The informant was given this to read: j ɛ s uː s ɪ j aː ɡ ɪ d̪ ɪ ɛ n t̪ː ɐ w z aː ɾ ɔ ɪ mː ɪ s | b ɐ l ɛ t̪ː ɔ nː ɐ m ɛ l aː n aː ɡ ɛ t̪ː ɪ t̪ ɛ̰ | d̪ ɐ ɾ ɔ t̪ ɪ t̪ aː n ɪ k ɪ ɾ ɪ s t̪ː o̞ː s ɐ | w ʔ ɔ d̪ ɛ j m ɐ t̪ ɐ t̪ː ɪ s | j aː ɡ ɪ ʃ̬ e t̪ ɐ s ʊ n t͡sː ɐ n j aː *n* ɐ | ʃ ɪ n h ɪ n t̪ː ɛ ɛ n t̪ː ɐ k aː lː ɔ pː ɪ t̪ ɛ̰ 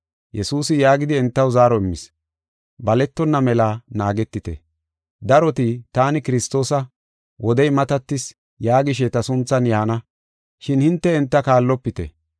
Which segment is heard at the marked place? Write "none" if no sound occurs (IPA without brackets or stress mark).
n